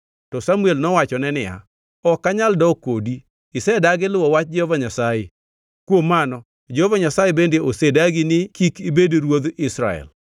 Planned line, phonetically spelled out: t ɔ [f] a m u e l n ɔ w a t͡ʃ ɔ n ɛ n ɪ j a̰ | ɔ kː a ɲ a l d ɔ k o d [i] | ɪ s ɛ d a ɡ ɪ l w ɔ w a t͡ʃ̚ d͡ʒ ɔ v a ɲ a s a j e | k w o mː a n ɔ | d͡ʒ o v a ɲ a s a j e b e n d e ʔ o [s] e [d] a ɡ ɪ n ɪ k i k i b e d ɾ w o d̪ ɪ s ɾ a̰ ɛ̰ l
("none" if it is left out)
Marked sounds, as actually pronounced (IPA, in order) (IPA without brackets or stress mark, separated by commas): s, i, s, d